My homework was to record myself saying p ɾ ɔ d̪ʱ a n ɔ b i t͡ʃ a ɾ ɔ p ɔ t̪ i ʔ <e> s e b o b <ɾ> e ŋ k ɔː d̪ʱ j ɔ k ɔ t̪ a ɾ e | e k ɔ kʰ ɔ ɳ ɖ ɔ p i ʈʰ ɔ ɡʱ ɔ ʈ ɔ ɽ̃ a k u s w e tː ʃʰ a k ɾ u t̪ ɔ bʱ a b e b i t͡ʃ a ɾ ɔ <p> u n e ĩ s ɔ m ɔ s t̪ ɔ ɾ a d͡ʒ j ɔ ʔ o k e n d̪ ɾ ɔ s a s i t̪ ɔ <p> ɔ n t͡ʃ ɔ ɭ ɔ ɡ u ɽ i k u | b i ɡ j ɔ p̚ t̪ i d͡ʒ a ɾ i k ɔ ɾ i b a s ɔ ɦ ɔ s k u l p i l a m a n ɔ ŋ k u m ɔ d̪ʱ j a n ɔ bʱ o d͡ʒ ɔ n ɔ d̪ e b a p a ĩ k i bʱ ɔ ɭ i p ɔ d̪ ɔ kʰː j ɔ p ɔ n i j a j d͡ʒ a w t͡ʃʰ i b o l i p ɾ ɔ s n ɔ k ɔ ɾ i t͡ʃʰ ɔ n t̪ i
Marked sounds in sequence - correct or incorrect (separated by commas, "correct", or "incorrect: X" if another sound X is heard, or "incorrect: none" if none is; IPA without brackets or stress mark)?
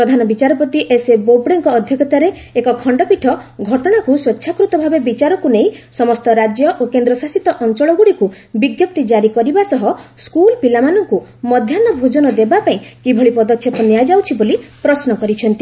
correct, incorrect: ɽ, incorrect: k, incorrect: ʔ